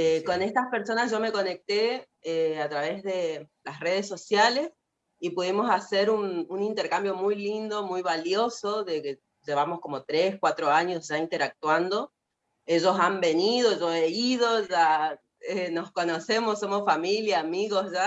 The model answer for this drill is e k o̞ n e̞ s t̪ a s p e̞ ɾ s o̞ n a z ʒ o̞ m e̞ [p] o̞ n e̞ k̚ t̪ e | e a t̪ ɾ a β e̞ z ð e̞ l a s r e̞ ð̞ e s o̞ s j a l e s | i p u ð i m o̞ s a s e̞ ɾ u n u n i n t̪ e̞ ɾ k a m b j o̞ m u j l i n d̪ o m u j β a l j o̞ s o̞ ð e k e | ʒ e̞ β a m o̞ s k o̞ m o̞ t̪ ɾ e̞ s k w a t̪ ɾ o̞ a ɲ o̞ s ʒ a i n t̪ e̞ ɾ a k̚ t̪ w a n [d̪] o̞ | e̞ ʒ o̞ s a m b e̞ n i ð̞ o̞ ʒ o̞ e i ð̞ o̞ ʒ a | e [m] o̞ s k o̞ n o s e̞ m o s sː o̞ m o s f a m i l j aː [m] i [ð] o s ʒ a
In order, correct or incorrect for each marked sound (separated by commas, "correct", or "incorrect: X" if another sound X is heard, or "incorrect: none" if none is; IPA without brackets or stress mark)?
incorrect: k, correct, incorrect: n, correct, incorrect: ɣ